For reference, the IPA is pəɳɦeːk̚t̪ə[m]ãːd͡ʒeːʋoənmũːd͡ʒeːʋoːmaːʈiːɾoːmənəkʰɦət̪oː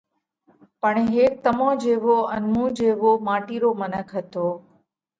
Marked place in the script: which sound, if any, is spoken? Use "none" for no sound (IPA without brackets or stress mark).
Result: m